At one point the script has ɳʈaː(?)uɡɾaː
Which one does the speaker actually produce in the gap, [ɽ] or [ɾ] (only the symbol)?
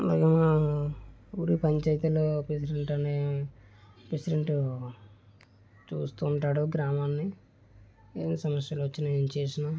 ɽ